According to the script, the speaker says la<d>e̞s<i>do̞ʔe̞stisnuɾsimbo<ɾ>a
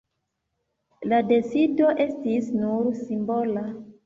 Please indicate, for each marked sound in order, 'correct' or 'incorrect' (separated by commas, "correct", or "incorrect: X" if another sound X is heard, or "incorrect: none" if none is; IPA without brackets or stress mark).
correct, correct, incorrect: l